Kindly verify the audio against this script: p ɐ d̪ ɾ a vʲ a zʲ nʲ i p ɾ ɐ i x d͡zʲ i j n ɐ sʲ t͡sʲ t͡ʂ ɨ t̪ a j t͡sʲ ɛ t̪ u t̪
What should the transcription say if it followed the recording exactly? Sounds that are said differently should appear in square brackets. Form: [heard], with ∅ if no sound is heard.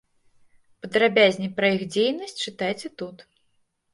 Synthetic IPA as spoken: p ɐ d̪ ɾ a [bʲ] a zʲ nʲ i p ɾ ɐ i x d͡zʲ [e] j n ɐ sʲ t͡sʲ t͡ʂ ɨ t̪ a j t͡sʲ ɛ t̪ u t̪